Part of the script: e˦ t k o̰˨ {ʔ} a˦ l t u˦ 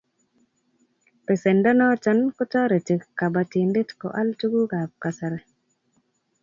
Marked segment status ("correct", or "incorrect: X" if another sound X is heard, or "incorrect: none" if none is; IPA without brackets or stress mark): correct